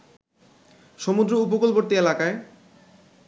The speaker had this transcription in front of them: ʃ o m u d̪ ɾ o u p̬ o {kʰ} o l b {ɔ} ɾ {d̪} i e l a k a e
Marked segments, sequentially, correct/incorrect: incorrect: k, incorrect: o, incorrect: t̪

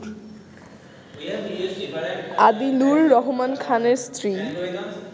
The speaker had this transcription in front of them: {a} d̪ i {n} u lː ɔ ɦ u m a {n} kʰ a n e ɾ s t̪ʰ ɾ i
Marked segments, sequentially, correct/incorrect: correct, correct, correct

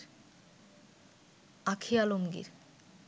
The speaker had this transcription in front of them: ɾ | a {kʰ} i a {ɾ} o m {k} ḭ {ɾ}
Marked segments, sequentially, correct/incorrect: correct, incorrect: l, incorrect: ɡ, correct

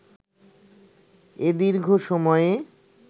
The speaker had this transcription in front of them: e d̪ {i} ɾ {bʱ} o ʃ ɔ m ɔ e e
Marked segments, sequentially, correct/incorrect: correct, incorrect: ɡʱ

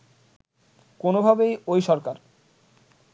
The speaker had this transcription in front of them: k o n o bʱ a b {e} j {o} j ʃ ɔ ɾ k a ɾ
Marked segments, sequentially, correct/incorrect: correct, correct

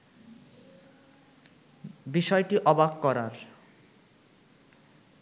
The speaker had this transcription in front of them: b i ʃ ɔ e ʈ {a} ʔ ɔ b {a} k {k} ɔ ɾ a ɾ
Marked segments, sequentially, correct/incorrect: incorrect: i, correct, correct

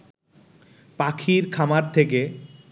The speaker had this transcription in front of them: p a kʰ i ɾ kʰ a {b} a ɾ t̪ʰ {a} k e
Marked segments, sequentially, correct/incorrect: incorrect: m, incorrect: e

